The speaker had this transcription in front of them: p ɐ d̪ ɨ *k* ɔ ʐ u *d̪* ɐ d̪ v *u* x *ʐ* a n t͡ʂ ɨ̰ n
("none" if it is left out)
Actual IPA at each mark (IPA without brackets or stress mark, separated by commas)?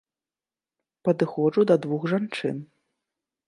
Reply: x, d̪, u, ʐ